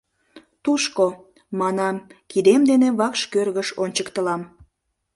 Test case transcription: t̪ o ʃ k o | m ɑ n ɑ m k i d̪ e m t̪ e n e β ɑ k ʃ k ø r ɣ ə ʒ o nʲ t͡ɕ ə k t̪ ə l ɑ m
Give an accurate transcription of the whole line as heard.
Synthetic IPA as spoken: t̪ u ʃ k o | m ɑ n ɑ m k i d̪ e m d̪ e n e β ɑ k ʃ k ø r ɣ ə ʃ o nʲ t͡ɕ ə k t̪ ə l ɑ m